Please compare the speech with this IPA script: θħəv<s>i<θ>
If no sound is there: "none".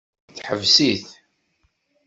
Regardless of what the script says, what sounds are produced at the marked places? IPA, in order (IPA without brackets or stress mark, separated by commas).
s, θ